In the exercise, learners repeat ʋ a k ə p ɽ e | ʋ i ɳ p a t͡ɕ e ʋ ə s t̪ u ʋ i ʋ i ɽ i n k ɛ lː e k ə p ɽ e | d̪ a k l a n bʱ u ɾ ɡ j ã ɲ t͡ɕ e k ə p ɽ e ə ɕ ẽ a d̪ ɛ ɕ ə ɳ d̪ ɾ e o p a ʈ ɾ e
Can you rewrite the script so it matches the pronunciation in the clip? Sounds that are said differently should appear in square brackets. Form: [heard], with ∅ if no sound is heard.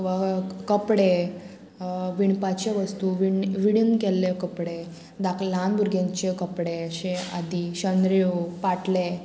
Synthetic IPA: ʋ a k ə p ɽ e | ʋ i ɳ p a t͡ɕ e ʋ ə s t̪ u ʋ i ʋ i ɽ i n k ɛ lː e k ə p ɽ e | d̪ a k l a n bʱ u ɾ ɡ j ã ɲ t͡ɕ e k ə p ɽ e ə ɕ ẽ a d̪ [i] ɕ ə [n] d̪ ɾ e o p a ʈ [l] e